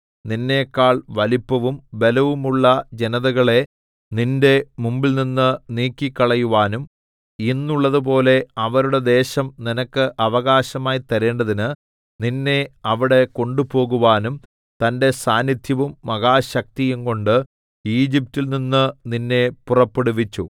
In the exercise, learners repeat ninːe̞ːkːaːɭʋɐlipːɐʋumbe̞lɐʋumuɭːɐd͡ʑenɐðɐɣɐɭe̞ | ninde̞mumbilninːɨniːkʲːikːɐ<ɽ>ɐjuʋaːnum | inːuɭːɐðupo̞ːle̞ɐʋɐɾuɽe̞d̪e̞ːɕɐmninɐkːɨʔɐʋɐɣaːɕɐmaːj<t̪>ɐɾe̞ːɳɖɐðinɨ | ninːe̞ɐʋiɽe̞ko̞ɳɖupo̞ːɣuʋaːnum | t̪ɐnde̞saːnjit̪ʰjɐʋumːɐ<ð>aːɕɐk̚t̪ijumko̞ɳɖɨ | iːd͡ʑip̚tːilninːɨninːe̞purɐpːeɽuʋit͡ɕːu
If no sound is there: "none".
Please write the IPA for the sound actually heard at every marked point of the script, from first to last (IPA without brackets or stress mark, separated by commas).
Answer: ɭ, t̪, ɣ